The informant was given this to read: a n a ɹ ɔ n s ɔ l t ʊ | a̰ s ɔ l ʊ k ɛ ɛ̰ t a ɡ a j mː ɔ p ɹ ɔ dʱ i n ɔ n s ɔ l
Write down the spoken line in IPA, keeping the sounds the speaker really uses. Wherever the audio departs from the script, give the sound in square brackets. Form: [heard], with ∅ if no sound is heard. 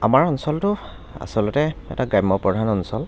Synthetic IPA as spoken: a [m] a ɹ ɔ n s ɔ l t ʊ | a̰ s ɔ l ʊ [t] ɛ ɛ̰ t a ɡ a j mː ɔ p ɹ ɔ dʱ [a] n ɔ n s ɔ l